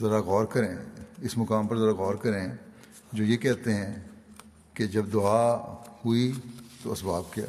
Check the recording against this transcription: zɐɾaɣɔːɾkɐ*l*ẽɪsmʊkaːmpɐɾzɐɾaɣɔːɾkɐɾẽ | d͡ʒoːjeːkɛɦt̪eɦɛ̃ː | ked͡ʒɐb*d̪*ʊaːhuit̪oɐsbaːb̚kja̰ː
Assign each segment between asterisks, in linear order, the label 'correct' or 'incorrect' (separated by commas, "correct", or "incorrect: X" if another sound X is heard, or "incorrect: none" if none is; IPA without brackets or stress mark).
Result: incorrect: ɾ, correct